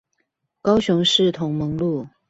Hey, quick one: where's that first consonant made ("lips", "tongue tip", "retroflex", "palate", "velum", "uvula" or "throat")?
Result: velum